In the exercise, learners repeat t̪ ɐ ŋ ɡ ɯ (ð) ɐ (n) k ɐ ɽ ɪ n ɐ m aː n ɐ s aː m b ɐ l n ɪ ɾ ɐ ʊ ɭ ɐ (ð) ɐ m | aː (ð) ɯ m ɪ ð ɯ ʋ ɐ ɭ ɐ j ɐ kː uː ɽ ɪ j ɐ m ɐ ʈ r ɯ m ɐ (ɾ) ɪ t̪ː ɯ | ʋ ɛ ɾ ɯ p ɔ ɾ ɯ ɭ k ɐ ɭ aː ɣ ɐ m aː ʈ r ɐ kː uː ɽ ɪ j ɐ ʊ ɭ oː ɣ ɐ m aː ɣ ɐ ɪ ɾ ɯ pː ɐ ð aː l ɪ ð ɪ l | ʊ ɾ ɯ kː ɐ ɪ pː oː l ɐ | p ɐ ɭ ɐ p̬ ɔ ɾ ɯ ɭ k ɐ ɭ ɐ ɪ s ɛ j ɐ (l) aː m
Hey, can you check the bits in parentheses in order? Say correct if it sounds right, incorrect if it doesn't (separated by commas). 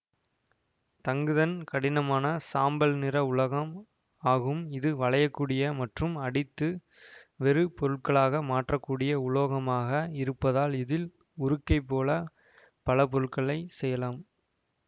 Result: correct, correct, incorrect, incorrect, incorrect, correct